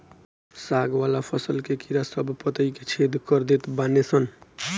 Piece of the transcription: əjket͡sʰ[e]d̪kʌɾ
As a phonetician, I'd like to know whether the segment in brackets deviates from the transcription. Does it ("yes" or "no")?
no